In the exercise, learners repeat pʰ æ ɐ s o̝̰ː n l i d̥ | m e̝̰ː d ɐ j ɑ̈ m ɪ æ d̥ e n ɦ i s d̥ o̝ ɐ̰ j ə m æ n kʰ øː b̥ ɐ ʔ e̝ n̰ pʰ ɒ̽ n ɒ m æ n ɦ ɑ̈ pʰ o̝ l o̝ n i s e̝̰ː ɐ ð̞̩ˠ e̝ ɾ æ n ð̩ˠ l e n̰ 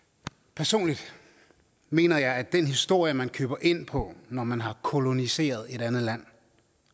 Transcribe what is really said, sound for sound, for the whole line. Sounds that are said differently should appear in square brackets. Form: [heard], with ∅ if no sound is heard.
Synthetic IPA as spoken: pʰ æ ɐ s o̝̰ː n l i d̥ | m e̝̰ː [n] ɐ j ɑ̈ [∅] ɪ æ d̥ e n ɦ i s d̥ o̝ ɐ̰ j ə m æ n kʰ øː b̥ ɐ ʔ e̝ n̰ pʰ ɒ̽ n ɒ m æ n ɦ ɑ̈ [kʰ] o̝ l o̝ n i s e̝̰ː ɐ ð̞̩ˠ e̝ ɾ æ n ð̩ˠ l [æ] n̰

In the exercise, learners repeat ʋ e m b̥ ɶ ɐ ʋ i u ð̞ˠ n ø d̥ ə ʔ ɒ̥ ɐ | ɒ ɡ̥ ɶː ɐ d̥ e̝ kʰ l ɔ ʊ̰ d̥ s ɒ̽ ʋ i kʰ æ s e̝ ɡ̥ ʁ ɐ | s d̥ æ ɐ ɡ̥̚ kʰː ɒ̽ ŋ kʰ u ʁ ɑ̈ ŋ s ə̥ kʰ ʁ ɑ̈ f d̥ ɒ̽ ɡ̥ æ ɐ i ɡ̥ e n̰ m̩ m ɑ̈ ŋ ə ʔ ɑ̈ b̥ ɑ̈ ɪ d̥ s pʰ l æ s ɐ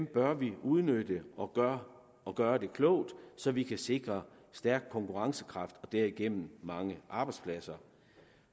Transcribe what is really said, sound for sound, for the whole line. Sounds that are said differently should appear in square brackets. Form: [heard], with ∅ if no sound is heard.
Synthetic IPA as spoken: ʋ e m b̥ ɶ ɐ ʋ i u ð̞ˠ n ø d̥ ə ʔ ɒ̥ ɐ | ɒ ɡ̥ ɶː ɐ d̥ e̝ kʰ l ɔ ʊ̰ d̥ s ɒ̽ ʋ i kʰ æ s e̝ ɡ̥ ʁ ɐ | s d̥ æ ɐ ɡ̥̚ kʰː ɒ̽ ŋ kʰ u ʁ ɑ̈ ŋ s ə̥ kʰ ʁ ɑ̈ f d̥ ɒ̽ [d̥] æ ɐ i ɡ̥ e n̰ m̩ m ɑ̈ ŋ ə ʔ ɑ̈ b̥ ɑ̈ ɪ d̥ s pʰ l æ s ɐ

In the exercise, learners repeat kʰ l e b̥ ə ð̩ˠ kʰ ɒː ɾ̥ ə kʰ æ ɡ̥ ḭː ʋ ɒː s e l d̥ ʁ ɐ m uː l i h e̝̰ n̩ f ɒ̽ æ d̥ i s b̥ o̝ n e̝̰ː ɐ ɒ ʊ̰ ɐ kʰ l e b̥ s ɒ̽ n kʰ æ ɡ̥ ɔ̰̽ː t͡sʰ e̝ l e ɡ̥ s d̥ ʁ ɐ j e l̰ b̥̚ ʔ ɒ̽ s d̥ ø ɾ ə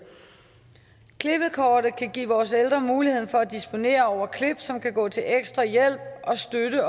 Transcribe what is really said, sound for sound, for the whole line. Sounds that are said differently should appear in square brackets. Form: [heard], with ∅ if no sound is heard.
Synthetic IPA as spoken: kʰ l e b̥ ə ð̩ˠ kʰ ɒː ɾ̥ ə kʰ æ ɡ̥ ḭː ʋ ɒː s e l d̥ ʁ ɐ m uː l i h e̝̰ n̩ f ɒ̽ æ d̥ i s b̥ o̝ n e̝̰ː ɐ ɒ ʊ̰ ɐ kʰ l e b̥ s ɒ̽ [m] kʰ æ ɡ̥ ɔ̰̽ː t͡sʰ e̝ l e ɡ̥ s d̥ ʁ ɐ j e l̰ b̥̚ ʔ ɒ̽ s d̥ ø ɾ ə

